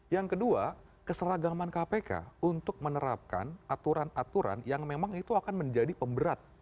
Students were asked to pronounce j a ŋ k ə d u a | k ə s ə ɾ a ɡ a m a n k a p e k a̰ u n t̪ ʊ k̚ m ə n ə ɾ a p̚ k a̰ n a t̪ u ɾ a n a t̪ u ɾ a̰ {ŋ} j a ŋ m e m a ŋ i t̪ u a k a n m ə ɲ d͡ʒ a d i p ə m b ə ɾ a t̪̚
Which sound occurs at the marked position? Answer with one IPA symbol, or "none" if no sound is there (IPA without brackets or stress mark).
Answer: n